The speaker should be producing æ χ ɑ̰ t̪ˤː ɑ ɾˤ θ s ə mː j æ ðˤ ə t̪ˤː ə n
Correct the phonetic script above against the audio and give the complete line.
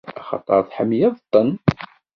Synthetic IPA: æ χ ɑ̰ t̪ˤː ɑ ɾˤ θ ħ ə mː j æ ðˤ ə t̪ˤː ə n